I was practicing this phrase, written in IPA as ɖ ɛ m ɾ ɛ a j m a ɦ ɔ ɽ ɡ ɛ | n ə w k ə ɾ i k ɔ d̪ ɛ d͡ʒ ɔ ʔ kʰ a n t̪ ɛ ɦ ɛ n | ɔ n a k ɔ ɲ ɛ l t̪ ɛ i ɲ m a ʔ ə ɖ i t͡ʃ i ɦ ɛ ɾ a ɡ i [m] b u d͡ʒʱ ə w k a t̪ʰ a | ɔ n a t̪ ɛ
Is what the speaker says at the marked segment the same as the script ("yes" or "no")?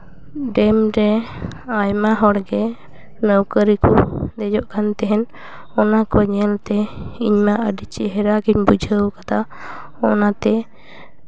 no